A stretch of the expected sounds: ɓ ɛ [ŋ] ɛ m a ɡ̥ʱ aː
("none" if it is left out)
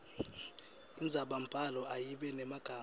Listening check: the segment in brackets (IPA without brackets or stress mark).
n